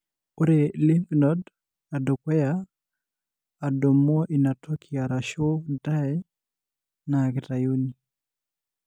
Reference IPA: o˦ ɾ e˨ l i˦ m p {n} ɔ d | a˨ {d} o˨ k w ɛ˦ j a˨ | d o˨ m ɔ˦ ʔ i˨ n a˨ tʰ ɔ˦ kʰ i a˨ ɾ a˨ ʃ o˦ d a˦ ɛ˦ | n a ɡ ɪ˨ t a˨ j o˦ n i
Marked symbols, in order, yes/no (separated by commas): yes, yes